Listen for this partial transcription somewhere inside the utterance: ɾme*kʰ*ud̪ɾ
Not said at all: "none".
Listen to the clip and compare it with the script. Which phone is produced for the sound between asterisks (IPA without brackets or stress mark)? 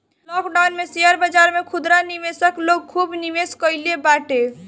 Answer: kʰ